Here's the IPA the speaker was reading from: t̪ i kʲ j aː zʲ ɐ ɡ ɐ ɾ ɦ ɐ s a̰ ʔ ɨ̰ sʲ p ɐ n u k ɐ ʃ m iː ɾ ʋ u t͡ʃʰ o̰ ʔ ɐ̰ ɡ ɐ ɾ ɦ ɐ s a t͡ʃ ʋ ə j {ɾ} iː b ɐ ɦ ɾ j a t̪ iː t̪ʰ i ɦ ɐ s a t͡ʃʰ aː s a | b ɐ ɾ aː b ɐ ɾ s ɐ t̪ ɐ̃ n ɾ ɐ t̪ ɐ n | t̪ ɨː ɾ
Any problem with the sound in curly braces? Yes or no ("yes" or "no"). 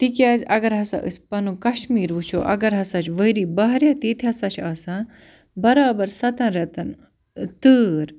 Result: no